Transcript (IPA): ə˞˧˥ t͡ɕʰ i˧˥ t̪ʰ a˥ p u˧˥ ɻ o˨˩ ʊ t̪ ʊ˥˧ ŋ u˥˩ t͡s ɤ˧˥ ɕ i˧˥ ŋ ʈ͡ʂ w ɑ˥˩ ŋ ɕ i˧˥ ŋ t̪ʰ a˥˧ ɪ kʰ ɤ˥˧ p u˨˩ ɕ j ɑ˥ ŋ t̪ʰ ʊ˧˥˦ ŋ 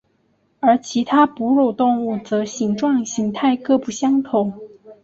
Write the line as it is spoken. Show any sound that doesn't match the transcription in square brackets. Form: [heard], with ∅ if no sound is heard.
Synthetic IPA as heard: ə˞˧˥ t͡ɕʰ i˧˥ t̪ʰ a˥ p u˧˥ ɻ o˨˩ ʊ t̪ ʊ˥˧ ŋ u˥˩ t͡s ɤ˧˥ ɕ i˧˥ ŋ ʈ͡ʂ w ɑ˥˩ ŋ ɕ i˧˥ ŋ t̪ʰ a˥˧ ɪ [k] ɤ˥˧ p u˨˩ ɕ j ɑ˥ ŋ t̪ʰ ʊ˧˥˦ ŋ